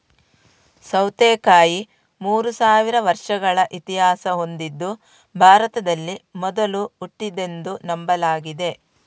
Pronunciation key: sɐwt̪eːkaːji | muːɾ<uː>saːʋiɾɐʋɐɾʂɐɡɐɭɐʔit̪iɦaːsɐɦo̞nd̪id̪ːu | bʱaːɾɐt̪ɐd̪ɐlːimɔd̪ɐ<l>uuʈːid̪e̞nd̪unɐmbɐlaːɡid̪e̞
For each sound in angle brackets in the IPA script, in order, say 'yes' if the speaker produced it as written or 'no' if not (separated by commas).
no, yes